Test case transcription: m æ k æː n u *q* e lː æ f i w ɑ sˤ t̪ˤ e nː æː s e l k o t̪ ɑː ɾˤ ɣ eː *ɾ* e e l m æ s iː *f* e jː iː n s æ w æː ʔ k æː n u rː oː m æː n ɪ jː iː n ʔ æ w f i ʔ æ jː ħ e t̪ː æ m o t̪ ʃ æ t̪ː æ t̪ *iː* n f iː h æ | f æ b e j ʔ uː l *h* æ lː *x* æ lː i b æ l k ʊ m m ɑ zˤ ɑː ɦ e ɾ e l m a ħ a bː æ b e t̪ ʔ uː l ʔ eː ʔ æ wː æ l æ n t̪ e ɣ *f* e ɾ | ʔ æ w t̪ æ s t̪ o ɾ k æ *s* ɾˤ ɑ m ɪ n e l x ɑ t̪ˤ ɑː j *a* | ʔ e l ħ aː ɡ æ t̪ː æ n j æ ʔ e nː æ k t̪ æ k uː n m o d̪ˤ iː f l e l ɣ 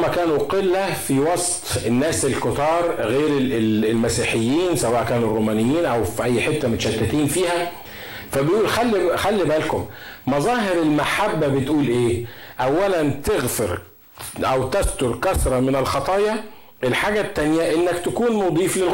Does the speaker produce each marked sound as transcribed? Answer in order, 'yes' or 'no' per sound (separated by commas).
yes, yes, no, yes, no, yes, yes, yes, no